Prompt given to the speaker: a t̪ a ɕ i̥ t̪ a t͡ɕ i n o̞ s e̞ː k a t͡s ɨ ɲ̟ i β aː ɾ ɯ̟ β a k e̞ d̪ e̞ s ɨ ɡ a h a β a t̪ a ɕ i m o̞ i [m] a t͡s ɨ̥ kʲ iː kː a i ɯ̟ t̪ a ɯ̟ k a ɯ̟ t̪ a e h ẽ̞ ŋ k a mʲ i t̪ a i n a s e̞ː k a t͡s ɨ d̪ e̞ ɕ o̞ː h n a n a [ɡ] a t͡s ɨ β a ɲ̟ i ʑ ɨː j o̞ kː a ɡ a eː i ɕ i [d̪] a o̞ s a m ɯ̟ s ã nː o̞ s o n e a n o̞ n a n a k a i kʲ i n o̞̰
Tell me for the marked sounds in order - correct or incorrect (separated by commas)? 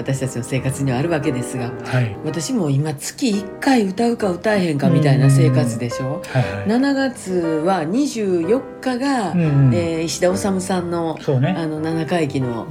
correct, correct, correct